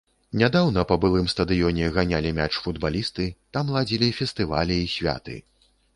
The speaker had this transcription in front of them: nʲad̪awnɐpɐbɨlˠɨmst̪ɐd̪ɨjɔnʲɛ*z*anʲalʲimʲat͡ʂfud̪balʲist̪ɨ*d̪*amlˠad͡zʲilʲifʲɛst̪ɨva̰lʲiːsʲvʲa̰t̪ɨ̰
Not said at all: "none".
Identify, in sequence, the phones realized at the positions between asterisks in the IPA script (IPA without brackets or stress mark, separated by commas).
ɣ, t̪